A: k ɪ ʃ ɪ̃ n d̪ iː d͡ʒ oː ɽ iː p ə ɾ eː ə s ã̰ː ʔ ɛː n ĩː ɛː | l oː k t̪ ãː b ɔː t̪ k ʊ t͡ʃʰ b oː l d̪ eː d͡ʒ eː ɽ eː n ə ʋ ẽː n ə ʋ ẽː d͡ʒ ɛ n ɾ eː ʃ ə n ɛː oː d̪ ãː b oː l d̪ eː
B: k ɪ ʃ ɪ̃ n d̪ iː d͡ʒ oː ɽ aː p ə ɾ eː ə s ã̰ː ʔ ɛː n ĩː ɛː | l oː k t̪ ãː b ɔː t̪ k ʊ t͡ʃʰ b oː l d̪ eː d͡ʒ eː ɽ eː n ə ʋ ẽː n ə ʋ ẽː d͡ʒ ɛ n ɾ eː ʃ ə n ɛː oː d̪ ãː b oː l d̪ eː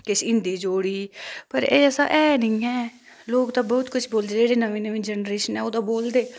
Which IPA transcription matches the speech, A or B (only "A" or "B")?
A